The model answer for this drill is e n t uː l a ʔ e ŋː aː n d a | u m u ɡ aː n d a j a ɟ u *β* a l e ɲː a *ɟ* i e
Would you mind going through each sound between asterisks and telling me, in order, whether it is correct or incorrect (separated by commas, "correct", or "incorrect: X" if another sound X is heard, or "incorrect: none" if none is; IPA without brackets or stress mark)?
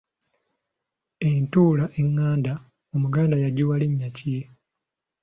incorrect: w, incorrect: c